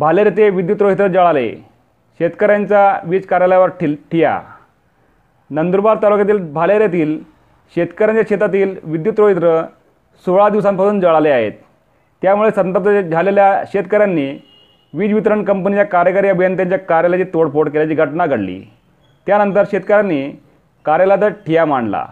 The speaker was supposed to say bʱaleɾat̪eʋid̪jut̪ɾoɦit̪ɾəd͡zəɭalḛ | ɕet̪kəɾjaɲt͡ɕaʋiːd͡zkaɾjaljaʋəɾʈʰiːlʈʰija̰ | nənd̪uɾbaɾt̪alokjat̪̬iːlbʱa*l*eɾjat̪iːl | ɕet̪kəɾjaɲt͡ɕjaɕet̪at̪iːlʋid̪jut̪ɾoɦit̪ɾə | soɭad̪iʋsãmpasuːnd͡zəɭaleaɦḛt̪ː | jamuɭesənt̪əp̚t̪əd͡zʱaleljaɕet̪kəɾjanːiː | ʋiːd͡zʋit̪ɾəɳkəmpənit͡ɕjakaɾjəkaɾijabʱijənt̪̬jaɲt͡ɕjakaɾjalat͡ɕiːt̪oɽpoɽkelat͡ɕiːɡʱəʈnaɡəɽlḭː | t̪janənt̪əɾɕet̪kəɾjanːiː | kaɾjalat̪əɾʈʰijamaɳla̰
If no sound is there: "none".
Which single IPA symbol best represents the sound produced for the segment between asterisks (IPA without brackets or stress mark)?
l